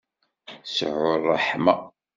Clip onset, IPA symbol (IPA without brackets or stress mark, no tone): s